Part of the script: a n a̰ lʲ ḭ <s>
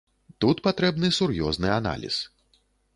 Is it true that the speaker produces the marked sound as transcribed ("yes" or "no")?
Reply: yes